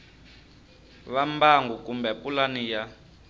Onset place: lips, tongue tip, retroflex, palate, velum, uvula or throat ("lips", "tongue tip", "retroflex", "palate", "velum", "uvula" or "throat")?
lips